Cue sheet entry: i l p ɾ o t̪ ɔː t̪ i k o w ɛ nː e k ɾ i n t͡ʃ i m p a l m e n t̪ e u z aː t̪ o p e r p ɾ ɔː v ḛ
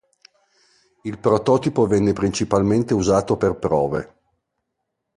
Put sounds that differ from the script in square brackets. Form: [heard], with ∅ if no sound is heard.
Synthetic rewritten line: i l p ɾ o t̪ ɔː t̪ i [p] o [v] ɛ nː e [p] ɾ i n t͡ʃ i [∅] p a l m e n t̪ e u z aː t̪ o p e r p ɾ ɔː v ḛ